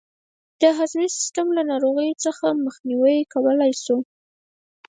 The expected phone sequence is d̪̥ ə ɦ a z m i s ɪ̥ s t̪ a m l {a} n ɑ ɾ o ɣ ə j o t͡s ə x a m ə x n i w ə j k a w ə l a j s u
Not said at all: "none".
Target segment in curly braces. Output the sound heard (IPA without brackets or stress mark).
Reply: a